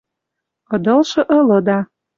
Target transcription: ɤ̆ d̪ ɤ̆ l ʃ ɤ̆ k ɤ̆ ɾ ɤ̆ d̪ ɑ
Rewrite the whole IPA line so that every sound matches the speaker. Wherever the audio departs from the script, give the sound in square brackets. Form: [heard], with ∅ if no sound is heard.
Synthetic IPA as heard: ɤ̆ d̪ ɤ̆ l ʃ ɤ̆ [ʔ] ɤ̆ [l] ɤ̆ d̪ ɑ